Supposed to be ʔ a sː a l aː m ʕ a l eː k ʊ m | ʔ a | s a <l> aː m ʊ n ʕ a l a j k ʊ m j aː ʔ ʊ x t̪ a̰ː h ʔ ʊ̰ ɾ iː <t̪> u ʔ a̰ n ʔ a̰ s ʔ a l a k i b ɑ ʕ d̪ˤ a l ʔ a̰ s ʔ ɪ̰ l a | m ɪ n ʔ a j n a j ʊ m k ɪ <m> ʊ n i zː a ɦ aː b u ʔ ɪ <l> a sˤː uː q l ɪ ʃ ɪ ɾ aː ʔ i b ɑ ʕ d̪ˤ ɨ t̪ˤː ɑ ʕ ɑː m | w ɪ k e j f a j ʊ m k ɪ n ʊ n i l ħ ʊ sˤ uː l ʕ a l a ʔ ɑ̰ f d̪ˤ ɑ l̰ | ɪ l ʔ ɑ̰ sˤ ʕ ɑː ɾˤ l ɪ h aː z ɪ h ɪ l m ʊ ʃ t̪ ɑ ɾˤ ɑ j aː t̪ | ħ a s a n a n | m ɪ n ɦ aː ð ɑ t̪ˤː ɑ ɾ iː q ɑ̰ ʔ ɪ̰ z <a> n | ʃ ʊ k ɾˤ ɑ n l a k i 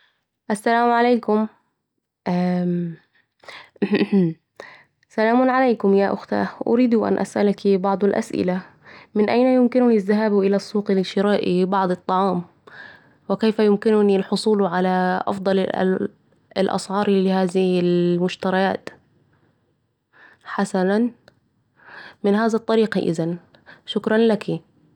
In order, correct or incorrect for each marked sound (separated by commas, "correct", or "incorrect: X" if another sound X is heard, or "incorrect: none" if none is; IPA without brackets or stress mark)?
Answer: correct, incorrect: d̪, incorrect: n, correct, correct